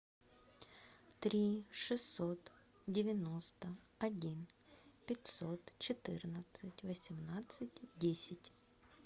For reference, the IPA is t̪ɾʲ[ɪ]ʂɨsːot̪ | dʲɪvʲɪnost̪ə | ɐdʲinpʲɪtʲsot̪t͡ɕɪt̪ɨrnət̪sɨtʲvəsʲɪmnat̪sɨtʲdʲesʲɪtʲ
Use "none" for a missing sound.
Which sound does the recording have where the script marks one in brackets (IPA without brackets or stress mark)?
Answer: i